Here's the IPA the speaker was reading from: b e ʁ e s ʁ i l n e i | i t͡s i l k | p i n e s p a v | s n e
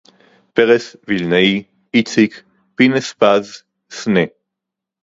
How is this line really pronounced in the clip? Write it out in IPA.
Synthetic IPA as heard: p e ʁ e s v i l n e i | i t͡s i k | p i n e s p a z | s n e